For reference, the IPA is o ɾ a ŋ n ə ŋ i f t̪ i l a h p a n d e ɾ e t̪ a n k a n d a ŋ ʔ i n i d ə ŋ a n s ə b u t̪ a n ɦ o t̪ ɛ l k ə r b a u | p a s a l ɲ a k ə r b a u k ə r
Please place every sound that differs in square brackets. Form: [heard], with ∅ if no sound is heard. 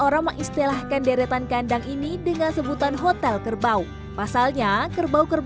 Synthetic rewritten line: o ɾ a ŋ [m] ə ŋ i [s] t̪ i l a h [k] a n d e ɾ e t̪ a n k a n d a ŋ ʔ i n i d ə ŋ a n s ə b u t̪ a n ɦ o t̪ ɛ l k ə r b a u | p a s a l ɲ a k ə r b a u k ə r